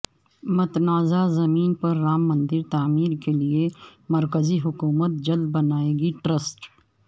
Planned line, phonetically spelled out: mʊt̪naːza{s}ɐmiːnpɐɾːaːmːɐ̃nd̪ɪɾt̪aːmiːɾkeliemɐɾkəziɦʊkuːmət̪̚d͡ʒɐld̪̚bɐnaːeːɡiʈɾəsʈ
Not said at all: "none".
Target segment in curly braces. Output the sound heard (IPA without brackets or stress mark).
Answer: z